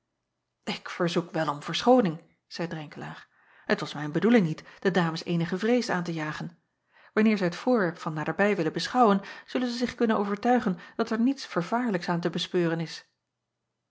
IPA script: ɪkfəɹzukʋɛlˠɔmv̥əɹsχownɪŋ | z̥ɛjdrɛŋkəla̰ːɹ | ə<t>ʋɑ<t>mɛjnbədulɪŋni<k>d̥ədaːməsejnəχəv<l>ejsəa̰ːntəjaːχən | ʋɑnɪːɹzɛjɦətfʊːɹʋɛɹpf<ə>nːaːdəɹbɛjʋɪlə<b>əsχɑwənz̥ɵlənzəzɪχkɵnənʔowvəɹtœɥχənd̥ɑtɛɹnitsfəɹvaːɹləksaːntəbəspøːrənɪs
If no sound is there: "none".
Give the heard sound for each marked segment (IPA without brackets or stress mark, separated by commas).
t, s, t, r, ɑ, b